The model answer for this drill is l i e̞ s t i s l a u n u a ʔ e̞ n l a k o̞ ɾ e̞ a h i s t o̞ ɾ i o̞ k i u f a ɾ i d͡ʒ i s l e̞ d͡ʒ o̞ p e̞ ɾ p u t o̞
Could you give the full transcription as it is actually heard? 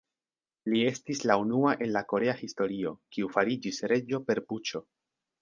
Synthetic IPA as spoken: l i e̞ s t i s l a u n u a ʔ e̞ n l a k o̞ ɾ e̞ a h i s t o̞ ɾ i o̞ k i u f a ɾ i d͡ʒ i s ɾ e̞ d͡ʒ o̞ p e̞ ɾ p u t͡ʃ o̞